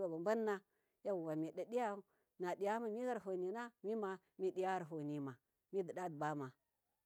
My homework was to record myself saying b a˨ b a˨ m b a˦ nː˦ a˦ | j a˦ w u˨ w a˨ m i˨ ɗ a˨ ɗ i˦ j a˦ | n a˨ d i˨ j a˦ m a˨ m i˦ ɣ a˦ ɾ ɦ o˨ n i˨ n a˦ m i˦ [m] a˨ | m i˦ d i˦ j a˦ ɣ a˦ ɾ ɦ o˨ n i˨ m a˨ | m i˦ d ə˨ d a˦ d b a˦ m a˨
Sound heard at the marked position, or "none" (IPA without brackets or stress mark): m